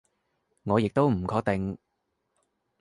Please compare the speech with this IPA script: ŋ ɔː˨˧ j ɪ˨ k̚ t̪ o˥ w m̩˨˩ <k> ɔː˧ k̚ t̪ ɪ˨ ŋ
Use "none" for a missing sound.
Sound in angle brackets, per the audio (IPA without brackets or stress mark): kʰ